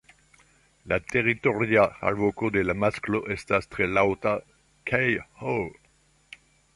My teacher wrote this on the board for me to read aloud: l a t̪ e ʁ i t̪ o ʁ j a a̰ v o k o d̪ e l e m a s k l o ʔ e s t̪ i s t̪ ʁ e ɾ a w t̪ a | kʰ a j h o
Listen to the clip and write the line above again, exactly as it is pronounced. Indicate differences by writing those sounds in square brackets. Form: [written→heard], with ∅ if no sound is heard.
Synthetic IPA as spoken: l a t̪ e ʁ i t̪ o ʁ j a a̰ v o k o d̪ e l [e→a] m a s k l o ʔ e s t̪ [i→a] s t̪ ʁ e [ɾ→l] a w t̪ a | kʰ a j h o